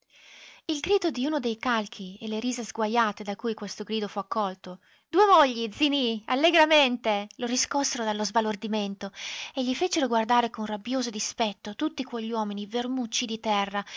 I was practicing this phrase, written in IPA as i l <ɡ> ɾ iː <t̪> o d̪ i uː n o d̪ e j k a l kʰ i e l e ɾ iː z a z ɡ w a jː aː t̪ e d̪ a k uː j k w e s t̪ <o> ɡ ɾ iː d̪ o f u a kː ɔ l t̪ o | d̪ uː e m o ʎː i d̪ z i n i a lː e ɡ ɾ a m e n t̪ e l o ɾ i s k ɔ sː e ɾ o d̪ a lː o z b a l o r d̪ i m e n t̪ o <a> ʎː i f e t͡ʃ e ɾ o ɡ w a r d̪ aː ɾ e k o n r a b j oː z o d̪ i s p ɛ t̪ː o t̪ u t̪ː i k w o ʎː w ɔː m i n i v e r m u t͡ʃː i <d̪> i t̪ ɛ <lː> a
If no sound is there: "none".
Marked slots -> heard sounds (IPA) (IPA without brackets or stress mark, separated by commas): ɡ, d̪, o, e, d̪, rː